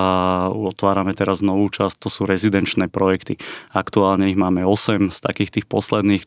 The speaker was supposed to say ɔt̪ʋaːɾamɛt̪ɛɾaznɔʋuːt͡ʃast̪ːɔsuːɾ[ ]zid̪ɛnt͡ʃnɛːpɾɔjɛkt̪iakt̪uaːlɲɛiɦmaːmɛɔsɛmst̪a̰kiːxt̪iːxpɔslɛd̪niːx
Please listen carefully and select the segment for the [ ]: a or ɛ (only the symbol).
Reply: ɛ